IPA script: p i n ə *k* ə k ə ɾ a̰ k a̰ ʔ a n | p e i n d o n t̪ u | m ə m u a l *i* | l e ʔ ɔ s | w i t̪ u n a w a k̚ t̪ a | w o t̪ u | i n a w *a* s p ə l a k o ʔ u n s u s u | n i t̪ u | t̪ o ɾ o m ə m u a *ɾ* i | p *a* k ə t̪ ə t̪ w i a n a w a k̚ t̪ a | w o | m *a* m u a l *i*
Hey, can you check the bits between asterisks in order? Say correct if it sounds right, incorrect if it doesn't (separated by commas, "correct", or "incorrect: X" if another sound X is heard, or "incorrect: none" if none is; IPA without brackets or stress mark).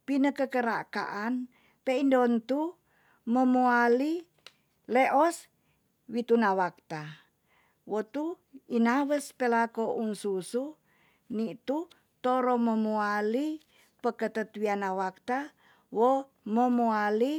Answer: correct, correct, incorrect: ə, incorrect: l, incorrect: ə, incorrect: ə, correct